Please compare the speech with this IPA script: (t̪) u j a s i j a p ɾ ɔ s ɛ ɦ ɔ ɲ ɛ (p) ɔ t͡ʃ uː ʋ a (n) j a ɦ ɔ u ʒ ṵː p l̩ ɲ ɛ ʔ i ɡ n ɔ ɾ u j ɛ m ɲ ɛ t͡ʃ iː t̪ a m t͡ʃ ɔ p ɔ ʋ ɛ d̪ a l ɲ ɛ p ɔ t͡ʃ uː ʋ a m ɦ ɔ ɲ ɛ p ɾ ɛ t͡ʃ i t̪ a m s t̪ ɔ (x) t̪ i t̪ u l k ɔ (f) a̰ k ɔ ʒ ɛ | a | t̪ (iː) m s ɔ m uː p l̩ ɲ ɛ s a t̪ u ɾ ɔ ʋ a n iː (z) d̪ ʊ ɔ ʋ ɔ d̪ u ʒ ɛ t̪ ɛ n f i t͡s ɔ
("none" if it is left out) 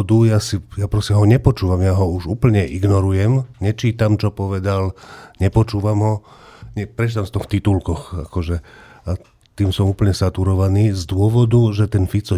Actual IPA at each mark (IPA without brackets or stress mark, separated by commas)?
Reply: d̪, p, m, x, x, iː, z